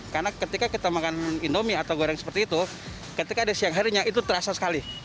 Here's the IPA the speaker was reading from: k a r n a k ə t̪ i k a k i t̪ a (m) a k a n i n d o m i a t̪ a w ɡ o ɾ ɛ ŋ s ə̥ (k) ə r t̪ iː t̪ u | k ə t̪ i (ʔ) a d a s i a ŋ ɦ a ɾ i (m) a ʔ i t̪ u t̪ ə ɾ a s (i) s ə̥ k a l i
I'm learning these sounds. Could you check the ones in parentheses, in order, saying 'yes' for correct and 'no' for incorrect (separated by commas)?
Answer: yes, no, no, no, no